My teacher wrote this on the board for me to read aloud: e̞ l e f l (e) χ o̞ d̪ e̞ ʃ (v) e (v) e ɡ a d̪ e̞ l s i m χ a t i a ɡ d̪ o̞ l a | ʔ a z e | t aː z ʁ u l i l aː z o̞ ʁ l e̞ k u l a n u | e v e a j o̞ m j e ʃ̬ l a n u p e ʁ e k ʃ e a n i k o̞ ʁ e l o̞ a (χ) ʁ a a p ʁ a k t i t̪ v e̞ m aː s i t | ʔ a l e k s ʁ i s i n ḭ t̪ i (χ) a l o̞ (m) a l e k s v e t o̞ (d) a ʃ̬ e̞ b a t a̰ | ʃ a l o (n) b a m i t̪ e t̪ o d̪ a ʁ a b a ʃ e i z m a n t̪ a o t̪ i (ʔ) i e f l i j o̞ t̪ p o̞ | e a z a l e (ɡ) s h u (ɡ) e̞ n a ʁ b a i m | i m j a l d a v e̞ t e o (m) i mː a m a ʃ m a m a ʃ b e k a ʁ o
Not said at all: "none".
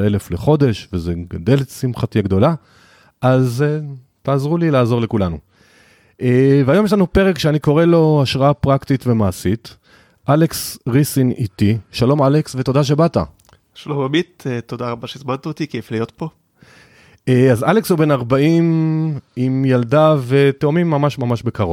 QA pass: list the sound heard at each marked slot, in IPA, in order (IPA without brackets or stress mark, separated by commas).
e, v, z, ʃ, ʃ, m, d, m, k, k, b, m